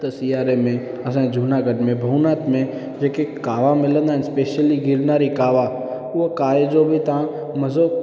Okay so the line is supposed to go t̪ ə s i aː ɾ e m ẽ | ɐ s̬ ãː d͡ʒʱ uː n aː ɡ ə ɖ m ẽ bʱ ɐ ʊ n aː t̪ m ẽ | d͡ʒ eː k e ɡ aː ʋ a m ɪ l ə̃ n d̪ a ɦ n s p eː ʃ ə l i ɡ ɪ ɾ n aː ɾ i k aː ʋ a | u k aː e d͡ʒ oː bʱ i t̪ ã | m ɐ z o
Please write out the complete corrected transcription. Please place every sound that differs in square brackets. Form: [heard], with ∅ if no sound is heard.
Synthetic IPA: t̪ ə s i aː ɾ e m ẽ | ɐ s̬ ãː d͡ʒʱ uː n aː ɡ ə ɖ m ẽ bʱ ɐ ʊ n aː t̪ m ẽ | d͡ʒ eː k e [k] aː ʋ a m ɪ l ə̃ n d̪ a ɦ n s p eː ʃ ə l i ɡ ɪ ɾ n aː ɾ i k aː ʋ a | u k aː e d͡ʒ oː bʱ i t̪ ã | m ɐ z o

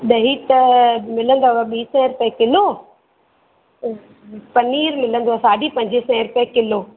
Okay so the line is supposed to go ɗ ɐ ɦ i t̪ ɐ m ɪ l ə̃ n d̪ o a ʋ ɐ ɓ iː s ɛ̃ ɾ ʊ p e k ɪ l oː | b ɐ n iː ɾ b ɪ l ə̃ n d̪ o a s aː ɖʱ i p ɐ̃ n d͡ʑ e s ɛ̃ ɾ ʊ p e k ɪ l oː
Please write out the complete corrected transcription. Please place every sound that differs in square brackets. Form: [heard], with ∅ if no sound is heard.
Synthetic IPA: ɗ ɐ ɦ i t̪ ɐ m ɪ l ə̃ n d̪ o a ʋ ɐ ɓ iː s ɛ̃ ɾ ʊ p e k ɪ l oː | [p] ɐ n iː ɾ [m] ɪ l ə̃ n d̪ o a s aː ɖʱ i p ɐ̃ [ɲ] d͡ʑ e s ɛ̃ ɾ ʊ p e k ɪ l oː

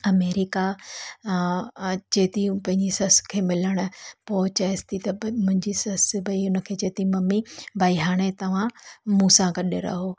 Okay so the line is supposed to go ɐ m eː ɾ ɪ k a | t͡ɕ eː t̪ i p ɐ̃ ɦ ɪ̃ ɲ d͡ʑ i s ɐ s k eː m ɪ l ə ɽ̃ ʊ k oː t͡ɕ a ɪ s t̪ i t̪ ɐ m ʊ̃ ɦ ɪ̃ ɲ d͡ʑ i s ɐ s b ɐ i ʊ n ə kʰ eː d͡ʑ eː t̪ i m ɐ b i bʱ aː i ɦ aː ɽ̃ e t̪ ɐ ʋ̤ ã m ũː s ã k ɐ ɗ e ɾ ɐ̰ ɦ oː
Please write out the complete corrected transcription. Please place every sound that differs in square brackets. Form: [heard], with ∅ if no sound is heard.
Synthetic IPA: ɐ m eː ɾ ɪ k a | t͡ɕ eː t̪ i p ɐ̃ ɦ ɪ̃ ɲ d͡ʑ i s ɐ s [kʰ] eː m ɪ l ə ɽ̃ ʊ [p] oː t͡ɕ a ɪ s t̪ i t̪ ɐ m ʊ̃ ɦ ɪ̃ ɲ d͡ʑ i s ɐ s b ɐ i ʊ n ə kʰ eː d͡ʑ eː t̪ i m ɐ [m] i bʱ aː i ɦ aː ɽ̃ e t̪ ɐ ʋ̤ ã m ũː s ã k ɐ ɗ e ɾ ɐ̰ ɦ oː

